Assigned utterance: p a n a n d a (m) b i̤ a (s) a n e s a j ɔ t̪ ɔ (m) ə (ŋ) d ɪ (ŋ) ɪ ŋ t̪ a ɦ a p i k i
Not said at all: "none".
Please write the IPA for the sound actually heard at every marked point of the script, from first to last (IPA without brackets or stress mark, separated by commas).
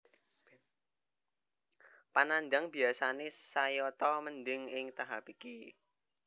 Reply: ŋ, s, m, n, ŋ